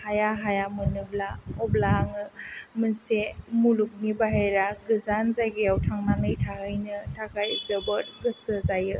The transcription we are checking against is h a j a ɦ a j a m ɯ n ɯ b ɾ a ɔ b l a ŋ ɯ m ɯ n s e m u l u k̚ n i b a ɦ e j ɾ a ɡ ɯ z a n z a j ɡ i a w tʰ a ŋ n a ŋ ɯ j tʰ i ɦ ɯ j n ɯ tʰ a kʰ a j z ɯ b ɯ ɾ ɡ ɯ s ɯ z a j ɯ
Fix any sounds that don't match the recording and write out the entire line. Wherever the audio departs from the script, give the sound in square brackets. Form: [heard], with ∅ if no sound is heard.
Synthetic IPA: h a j a ɦ a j a m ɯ n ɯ b [l] a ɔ b l a ŋ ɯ m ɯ n s e m u l u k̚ n i b a ɦ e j ɾ a ɡ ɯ z a n z a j ɡ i a w tʰ a ŋ n a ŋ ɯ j tʰ [a] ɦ ɯ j n ɯ tʰ a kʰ a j z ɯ b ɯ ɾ ɡ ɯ s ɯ z a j ɯ

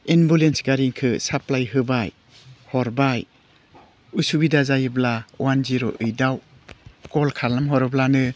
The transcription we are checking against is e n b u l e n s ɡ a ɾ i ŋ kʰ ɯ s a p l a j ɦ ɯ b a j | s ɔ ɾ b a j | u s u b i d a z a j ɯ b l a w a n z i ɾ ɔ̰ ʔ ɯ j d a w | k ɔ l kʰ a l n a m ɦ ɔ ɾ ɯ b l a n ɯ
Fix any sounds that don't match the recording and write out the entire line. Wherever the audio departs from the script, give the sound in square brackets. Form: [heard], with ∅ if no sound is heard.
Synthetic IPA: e n b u l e n s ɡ a ɾ i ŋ kʰ ɯ s a p l a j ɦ ɯ b a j | [h] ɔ ɾ b a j | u s u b i d a z a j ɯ b l a w a n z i ɾ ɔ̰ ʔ ɯ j d a w | k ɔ l kʰ a l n a m ɦ ɔ ɾ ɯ b l a n ɯ

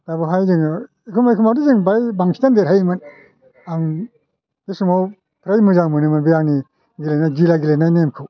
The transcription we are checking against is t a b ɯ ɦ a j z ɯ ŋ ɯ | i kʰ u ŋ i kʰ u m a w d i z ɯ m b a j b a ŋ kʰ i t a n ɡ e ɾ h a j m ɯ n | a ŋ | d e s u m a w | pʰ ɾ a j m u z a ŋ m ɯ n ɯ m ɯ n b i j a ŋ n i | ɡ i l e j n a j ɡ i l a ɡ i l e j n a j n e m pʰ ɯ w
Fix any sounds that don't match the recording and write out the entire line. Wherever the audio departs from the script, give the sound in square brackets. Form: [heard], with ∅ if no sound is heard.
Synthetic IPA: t a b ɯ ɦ a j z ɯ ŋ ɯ | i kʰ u [m] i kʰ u m a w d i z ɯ [ŋ] b a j b a ŋ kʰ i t a n [d] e ɾ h a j m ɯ n | a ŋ | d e s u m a w | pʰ ɾ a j m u z a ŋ m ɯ n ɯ m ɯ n b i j a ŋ n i | ɡ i l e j n a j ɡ i l a ɡ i l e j n a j n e m [kʰ] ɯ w

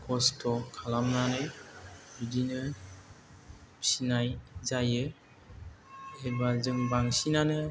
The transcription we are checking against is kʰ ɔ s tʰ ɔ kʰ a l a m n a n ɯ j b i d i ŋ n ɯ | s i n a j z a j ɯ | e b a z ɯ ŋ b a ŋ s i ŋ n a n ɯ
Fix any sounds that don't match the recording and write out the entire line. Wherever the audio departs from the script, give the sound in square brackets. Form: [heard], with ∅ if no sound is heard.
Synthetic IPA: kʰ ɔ s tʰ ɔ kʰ a l a m n a n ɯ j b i d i [∅] n ɯ | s i n a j z a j ɯ | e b a z ɯ ŋ b a ŋ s i [∅] n a n ɯ

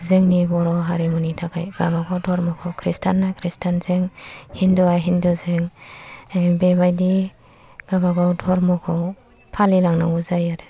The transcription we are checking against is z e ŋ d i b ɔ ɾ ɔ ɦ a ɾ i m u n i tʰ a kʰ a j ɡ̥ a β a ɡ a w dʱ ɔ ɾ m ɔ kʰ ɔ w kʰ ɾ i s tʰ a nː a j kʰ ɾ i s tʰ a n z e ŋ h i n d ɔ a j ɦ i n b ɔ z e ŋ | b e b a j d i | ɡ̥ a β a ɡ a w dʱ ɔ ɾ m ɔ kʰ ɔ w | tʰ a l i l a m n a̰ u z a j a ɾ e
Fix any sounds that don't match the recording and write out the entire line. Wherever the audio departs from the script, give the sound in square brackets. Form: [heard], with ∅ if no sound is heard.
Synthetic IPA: z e ŋ [n] i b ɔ ɾ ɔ ɦ a ɾ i m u n i tʰ a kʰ a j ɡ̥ a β a ɡ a w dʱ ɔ ɾ m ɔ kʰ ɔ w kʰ ɾ i s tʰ a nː a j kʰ ɾ i s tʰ a n z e ŋ h i n d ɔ a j ɦ i n [d] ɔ z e ŋ | b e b a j d i | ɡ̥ a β a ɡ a w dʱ ɔ ɾ m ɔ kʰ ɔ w | [pʰ] a l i l a [ŋ] n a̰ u z a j a ɾ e

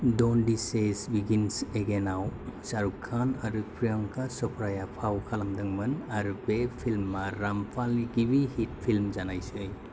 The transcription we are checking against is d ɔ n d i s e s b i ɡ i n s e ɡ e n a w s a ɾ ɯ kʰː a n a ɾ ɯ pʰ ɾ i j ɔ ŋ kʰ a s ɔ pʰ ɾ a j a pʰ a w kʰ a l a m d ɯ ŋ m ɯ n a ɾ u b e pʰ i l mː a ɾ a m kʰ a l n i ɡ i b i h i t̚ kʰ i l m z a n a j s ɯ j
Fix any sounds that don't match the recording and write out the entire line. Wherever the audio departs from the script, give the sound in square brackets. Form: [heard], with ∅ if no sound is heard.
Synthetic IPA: d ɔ n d i s e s b i ɡ i n s e ɡ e n a w s a ɾ [u] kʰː a n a ɾ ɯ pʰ ɾ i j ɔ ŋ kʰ a s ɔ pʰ ɾ a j a pʰ a w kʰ a l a m d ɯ ŋ m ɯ n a ɾ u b e pʰ i l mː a ɾ a m [pʰ] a l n i ɡ i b i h i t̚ [pʰ] i l m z a n a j s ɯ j

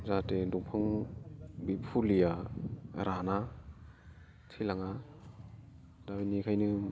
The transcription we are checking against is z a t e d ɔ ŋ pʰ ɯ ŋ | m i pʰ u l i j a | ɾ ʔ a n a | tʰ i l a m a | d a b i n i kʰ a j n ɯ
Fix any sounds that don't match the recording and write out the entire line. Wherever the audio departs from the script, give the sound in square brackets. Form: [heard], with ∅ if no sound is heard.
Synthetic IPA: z a t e d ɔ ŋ pʰ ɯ ŋ | [b] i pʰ u l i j a | ɾ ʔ a n a | tʰ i l a [ŋ] a | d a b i n i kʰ a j n ɯ

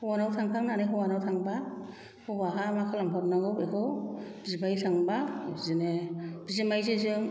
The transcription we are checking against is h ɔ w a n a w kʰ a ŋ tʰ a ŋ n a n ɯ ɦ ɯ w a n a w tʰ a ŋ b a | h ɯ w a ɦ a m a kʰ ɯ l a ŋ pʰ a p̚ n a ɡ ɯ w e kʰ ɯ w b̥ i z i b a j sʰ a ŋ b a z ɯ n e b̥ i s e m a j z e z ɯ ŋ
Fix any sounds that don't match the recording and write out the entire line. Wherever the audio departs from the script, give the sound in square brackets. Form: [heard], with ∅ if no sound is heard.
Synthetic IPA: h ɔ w a n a w [tʰ] a ŋ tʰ a ŋ n a n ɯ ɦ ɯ w a n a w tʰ a ŋ b a | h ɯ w a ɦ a m a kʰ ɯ l a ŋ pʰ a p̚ n a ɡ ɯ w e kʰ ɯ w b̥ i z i b a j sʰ a ŋ b a z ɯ n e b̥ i [z] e m a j z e z ɯ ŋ

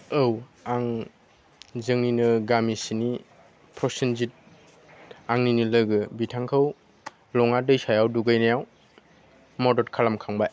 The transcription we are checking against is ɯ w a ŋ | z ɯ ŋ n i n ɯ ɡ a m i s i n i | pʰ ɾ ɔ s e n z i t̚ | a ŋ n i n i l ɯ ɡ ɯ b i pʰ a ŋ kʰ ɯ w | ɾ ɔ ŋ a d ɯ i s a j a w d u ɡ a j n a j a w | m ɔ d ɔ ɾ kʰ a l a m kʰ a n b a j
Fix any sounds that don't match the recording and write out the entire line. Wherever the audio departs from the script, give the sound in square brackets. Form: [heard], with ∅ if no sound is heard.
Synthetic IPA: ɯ w a ŋ | z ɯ ŋ n i n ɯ ɡ a m i s i n i | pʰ ɾ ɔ s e n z i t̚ | a ŋ n i n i l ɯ ɡ ɯ b i [tʰ] a ŋ kʰ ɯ w | [l] ɔ ŋ a d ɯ [j] s a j a w d u ɡ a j n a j a w | m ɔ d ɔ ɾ kʰ a l a m kʰ a [ŋ] b a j

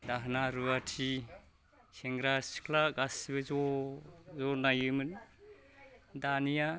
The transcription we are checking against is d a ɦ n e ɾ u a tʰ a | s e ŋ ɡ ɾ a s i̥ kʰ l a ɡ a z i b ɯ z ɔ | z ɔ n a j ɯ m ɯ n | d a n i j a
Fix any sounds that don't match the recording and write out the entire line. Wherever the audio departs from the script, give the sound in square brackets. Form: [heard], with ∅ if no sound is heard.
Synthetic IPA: d a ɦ n [a] ɾ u a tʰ [i] | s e ŋ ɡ ɾ a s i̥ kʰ l a ɡ a [s] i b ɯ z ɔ | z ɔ n a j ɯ m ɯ n | d a n i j a

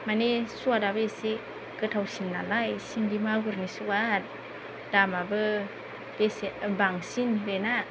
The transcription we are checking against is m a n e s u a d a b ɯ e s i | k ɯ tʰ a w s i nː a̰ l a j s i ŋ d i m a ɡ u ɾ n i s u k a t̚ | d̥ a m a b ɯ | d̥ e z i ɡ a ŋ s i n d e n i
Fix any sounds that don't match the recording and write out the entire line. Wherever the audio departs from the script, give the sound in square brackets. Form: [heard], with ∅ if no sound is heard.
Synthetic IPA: m a n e s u a d a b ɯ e s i | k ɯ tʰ a w s i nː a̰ l a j s i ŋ d i m a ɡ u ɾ n i s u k a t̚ | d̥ a m a b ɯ | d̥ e [s] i [b] a ŋ s i n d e n [a]

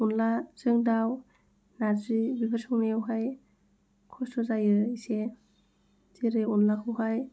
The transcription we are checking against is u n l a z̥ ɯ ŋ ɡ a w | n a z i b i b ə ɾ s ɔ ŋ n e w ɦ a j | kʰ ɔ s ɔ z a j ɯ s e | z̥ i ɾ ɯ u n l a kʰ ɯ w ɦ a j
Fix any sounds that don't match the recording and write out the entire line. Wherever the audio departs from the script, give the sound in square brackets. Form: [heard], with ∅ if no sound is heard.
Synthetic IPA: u n l a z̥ ɯ ŋ [d] a w | n a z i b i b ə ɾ s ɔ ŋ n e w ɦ a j | kʰ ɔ s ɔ z a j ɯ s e | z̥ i ɾ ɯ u n l a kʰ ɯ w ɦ a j

